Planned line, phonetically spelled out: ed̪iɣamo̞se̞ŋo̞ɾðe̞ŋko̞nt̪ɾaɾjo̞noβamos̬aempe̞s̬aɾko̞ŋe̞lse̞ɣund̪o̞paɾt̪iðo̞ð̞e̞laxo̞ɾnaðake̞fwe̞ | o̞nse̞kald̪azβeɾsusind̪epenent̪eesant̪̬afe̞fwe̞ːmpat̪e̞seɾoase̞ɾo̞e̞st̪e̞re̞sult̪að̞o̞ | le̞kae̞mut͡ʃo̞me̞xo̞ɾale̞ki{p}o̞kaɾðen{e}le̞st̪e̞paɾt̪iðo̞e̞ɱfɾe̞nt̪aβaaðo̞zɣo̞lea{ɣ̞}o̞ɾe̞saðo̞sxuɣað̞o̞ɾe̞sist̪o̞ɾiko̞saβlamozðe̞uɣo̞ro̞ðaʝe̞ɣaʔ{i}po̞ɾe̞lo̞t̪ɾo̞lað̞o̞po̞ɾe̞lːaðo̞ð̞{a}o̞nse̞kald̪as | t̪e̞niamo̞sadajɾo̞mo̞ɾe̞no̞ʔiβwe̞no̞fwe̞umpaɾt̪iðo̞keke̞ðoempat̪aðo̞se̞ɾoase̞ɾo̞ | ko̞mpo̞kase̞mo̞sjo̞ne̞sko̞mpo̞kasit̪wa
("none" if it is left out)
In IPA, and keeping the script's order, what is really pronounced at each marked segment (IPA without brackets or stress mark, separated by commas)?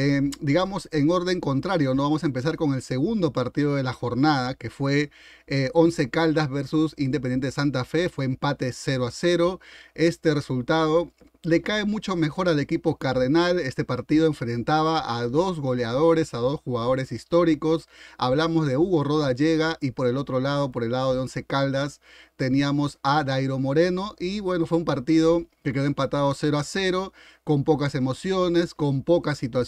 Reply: p, a, ð̞, i, e